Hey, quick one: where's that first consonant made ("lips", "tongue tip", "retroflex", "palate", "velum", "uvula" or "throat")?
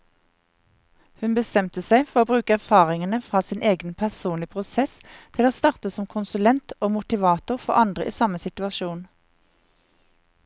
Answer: throat